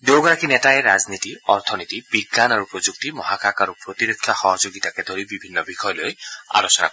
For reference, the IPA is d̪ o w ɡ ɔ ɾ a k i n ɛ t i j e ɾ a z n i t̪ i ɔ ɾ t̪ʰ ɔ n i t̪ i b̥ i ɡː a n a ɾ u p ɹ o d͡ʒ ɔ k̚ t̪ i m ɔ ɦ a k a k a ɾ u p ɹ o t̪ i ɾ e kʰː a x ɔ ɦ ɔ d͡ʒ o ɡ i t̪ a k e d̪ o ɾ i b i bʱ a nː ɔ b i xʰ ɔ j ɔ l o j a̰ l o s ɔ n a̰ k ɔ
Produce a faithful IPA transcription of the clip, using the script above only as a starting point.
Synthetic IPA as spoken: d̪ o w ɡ ɔ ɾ a k i n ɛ t a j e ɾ a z n i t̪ i ɔ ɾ t̪ʰ ɔ n i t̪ i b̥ i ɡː a n a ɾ u p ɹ o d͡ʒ u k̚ t̪ i m ɔ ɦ a k a k a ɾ u p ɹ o t̪ i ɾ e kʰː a x ɔ ɦ ɔ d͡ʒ o ɡ i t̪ a k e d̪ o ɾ i b i bʱ i nː ɔ b i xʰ ɔ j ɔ l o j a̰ l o s ɔ n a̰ k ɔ